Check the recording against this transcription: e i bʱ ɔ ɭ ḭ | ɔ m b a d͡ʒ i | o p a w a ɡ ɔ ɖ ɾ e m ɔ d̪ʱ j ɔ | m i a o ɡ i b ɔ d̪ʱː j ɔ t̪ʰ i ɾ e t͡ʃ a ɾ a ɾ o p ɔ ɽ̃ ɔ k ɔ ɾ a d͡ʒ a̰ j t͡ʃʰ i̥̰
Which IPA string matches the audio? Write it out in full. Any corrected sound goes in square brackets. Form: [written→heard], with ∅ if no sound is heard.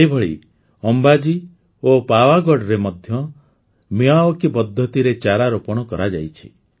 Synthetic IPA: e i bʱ ɔ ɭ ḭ | ɔ m b a d͡ʒ i | o p a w a ɡ ɔ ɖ ɾ e m ɔ d̪ʱ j ɔ | m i a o [ɡ→k] i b ɔ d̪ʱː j ɔ [t̪ʰ→t̪] i ɾ e t͡ʃ a ɾ a ɾ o p ɔ ɽ̃ ɔ k ɔ ɾ a d͡ʒ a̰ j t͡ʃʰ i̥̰